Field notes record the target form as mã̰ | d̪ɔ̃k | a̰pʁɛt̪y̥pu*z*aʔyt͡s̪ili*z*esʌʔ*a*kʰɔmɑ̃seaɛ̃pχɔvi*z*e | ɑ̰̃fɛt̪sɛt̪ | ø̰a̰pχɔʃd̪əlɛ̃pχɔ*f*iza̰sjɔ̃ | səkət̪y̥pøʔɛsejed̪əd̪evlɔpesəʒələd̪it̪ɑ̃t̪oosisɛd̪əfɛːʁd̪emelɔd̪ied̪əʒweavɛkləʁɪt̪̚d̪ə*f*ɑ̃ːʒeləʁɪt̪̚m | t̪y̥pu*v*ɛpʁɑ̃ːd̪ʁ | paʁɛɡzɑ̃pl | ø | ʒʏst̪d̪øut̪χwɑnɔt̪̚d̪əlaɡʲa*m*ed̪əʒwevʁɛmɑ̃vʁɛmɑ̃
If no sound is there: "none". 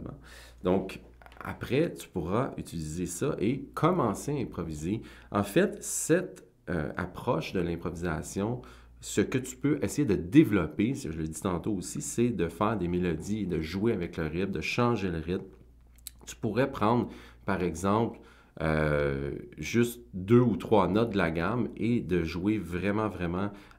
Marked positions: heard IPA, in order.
ʁ, z, e, z, v, ʃ, ʁ, m

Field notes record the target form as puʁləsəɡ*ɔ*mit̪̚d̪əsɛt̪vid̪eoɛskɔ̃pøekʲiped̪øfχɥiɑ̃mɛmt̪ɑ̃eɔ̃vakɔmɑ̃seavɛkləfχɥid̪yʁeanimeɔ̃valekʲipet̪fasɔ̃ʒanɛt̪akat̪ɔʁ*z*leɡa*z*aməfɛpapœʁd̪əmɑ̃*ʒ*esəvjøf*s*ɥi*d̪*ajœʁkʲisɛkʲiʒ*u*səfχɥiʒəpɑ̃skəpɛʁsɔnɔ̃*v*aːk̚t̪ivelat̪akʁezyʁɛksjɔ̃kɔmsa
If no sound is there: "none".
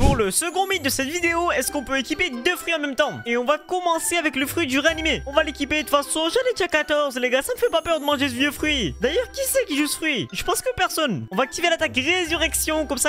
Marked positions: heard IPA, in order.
ɔ̃, z, s, ʒ, χ, d̪, u, v

